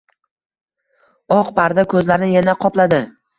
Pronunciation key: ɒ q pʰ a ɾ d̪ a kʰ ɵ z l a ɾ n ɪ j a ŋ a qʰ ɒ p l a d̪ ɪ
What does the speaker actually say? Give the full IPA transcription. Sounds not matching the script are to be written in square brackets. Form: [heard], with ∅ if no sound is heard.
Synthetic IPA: ɒ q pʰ a ɾ d̪ a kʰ ɵ z l a ɾ n ɪ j a [n] a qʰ ɒ p l a d̪ ɪ